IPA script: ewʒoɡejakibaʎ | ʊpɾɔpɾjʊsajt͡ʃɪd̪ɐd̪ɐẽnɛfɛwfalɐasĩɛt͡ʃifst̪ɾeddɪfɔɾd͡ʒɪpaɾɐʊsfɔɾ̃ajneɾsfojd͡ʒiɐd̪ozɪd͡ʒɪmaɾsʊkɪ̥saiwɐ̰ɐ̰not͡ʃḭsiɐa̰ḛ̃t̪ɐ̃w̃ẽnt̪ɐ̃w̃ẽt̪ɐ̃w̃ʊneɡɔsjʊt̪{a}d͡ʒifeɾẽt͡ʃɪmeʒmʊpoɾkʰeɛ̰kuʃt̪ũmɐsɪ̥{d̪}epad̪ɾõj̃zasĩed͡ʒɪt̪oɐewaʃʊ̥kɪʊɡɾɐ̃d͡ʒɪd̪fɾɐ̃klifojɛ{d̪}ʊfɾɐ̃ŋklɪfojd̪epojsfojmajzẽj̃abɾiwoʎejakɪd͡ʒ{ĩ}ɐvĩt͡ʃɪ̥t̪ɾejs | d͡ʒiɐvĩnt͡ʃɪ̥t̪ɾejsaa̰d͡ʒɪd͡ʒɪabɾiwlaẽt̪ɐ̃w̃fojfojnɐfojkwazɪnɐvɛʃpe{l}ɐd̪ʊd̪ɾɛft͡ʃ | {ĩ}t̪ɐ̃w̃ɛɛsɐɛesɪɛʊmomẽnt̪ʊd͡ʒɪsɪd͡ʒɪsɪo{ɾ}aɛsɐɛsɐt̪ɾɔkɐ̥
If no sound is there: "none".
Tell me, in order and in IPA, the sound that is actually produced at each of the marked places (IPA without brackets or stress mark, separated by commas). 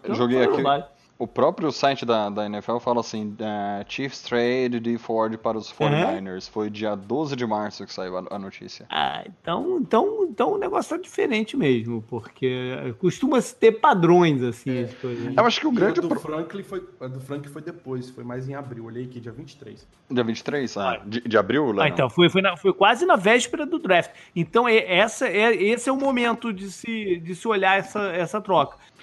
a, t̪, d̪, i, ɾ, ẽ, ʎ